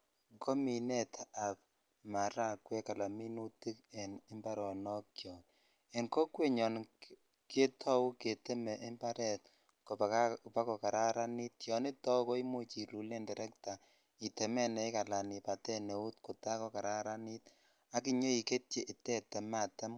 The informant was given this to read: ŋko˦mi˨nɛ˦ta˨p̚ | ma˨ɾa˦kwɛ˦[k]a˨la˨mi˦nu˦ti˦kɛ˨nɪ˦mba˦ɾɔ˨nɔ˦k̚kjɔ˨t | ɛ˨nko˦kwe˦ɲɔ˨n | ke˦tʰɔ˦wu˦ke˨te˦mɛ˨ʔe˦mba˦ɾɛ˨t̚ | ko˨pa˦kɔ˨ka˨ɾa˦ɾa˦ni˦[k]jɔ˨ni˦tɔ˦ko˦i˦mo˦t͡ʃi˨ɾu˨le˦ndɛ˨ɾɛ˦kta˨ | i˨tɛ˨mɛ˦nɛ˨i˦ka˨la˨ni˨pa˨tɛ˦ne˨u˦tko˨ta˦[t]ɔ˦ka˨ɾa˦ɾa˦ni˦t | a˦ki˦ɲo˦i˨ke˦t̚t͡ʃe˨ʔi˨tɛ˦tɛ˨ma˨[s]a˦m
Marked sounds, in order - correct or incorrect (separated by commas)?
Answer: correct, incorrect, incorrect, incorrect